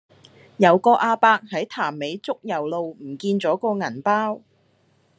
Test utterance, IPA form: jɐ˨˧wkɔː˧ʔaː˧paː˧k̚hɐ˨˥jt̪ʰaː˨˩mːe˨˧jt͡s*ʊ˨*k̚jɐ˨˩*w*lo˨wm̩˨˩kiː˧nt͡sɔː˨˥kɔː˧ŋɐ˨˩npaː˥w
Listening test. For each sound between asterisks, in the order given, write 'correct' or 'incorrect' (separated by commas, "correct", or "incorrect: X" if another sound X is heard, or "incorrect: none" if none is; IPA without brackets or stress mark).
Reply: incorrect: ʊ˥, correct